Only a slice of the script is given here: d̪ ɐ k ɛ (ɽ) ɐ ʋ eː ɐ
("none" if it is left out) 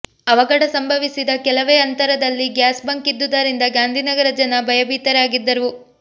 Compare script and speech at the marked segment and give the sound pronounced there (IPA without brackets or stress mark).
l